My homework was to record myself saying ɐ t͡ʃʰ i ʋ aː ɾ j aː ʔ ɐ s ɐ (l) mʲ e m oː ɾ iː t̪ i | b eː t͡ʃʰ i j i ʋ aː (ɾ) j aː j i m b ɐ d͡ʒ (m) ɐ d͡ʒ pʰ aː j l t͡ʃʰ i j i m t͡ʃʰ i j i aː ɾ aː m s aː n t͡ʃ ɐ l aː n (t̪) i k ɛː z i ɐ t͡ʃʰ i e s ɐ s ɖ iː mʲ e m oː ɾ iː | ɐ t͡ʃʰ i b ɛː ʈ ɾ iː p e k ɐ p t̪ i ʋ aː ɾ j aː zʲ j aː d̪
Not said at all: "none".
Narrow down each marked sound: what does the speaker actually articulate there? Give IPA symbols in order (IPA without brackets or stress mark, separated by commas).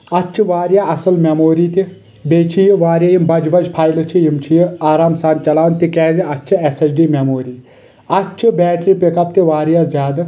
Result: l, ɾ, b, t̪